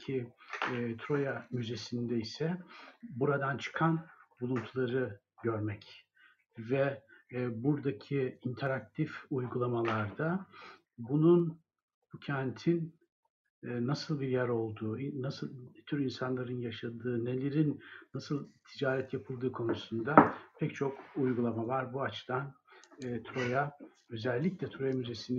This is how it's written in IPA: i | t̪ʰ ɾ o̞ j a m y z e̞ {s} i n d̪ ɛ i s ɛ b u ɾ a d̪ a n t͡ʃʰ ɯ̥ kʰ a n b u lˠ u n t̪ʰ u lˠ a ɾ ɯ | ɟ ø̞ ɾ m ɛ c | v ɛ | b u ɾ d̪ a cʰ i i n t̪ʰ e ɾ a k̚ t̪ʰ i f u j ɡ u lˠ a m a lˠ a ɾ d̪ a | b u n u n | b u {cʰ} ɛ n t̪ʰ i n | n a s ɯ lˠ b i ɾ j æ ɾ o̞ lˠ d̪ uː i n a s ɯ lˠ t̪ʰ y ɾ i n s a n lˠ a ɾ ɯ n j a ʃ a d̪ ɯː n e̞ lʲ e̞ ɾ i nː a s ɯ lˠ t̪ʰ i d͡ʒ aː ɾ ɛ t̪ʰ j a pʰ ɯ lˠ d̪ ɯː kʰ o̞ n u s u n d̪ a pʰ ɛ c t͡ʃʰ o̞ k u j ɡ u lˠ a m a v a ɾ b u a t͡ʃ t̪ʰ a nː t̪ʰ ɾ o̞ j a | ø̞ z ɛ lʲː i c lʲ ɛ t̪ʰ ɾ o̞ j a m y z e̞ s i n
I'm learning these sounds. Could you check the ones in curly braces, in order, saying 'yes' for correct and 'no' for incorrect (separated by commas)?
yes, yes